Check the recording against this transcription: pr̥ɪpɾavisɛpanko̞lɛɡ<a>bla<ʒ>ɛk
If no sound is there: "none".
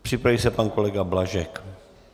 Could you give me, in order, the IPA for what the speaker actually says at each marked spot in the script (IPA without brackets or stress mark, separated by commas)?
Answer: a, ʒ